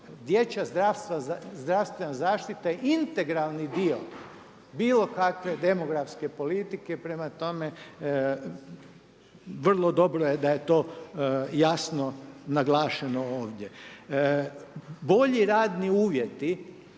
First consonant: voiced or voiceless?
voiced